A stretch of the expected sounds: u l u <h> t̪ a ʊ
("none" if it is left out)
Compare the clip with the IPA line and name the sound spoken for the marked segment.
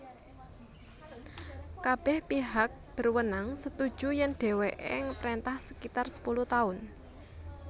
h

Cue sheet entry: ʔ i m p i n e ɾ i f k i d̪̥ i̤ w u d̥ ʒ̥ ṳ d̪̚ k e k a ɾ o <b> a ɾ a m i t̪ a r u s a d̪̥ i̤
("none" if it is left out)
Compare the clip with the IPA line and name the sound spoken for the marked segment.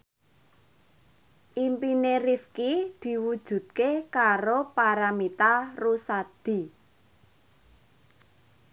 p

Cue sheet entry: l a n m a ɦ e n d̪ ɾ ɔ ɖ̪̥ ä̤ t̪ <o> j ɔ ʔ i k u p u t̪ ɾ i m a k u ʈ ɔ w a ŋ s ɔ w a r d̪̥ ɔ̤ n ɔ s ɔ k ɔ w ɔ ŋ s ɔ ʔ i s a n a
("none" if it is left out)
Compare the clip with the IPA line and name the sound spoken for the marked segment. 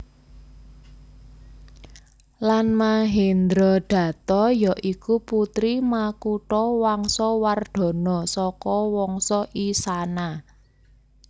ɔ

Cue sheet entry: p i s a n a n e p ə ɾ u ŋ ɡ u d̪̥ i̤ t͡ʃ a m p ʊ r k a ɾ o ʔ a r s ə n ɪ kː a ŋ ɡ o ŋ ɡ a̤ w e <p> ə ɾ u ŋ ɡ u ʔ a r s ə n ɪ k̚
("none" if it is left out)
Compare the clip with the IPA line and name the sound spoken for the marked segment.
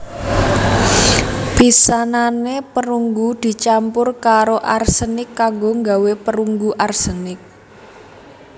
p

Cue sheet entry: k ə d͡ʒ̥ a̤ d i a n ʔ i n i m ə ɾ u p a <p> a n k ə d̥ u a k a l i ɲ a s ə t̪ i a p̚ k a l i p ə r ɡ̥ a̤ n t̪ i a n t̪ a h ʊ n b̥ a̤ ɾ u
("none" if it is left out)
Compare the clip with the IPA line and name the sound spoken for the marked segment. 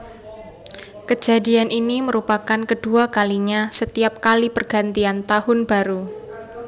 k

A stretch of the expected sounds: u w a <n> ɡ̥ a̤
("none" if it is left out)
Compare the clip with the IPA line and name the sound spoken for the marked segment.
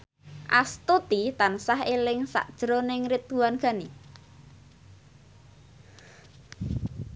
n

